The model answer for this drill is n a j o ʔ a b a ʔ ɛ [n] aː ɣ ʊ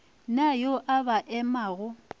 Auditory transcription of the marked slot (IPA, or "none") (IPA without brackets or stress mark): m